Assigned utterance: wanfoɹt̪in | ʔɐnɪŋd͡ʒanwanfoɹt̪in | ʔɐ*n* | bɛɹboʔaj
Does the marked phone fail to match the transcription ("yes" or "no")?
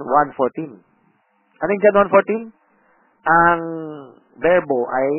yes